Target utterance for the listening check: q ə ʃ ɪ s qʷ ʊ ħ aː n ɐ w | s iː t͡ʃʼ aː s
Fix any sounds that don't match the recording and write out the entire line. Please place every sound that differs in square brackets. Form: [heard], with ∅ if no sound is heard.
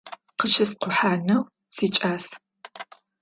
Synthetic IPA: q ə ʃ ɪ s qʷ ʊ ħ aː n ɐ w | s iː t͡ʃʼ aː s